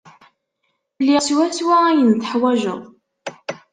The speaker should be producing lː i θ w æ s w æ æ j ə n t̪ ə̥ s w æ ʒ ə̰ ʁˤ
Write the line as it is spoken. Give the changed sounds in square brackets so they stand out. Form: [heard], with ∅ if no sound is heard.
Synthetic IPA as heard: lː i [s] w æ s w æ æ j ə n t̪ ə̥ [ħ] w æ ʒ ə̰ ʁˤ